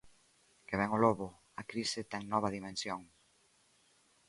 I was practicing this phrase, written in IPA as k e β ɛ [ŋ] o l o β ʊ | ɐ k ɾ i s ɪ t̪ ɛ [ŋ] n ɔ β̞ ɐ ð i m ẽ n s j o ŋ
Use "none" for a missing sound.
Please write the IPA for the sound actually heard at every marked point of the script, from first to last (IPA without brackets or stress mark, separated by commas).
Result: ŋ, ŋ